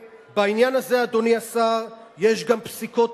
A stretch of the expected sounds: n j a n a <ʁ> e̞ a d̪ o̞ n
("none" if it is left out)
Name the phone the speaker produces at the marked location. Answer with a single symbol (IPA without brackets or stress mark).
z